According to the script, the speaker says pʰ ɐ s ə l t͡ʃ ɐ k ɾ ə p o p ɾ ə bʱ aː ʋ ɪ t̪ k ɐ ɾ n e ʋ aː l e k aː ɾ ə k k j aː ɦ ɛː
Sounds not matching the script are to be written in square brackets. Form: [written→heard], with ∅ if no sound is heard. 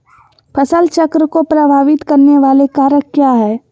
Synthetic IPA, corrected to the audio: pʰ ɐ s ə l t͡ʃ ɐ k ɾ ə [p→k] o p ɾ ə bʱ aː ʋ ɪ t̪ k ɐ ɾ n e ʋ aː l e k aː ɾ ə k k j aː ɦ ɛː